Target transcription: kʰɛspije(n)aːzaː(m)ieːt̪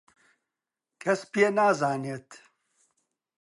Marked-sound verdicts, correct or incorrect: correct, incorrect: n

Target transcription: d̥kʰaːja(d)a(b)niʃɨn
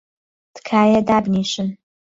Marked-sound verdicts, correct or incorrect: correct, correct

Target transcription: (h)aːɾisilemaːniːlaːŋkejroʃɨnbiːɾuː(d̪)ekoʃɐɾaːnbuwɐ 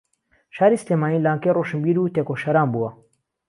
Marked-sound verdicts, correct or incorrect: incorrect: ʃ, incorrect: t̪

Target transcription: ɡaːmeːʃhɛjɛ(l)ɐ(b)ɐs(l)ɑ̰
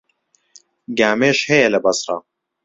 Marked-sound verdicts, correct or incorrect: correct, correct, incorrect: r

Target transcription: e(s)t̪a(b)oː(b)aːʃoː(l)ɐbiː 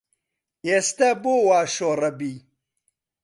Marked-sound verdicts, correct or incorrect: correct, correct, incorrect: w, incorrect: ɾ

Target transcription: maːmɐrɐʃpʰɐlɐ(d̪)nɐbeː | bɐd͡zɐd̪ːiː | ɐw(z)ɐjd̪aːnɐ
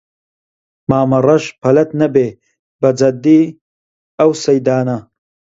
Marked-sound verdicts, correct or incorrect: incorrect: t̪, incorrect: s

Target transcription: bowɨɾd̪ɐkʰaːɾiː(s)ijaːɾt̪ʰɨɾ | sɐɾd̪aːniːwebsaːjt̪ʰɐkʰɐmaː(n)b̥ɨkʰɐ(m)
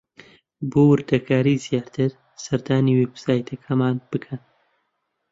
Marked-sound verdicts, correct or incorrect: incorrect: z, correct, incorrect: n

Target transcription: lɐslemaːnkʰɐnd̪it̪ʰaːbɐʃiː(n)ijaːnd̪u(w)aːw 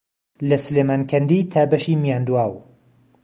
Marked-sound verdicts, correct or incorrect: incorrect: m, correct

